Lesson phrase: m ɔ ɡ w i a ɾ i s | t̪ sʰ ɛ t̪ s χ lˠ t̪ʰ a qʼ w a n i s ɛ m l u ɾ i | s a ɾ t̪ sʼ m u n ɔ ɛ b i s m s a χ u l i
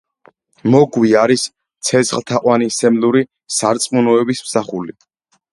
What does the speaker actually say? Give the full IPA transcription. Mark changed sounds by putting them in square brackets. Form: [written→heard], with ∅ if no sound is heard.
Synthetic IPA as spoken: m ɔ ɡ w i a ɾ i s | t̪ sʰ ɛ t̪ s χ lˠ t̪ʰ a qʼ w a n i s ɛ m l u ɾ i | s a ɾ t̪ sʼ m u n ɔ ɛ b i s m s a χ u l i